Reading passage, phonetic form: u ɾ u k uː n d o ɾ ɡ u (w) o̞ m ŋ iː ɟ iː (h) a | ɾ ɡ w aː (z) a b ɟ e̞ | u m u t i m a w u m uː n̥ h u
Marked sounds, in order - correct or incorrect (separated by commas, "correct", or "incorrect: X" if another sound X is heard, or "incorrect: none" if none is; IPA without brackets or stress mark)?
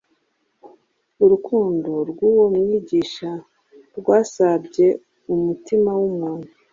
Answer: correct, incorrect: ʃ, incorrect: s